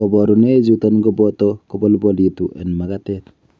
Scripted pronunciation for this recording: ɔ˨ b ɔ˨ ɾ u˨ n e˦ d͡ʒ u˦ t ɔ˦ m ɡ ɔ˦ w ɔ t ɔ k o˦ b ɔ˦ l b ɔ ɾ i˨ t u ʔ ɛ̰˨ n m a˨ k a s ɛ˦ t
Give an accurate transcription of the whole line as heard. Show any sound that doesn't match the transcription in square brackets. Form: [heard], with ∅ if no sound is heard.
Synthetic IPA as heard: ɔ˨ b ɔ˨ ɾ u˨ n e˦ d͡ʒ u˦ t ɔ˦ [n] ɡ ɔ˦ [b] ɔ t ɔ k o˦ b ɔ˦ l b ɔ [l] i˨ t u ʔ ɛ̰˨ n m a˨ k a [t] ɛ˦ t